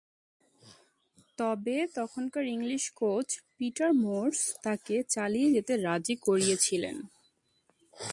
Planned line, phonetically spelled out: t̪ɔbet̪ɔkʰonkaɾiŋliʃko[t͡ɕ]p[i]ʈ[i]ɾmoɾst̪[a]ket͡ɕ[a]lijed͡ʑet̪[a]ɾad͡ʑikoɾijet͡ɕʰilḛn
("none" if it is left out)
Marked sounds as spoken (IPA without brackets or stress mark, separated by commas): t͡ɕ, i, a, a, a, e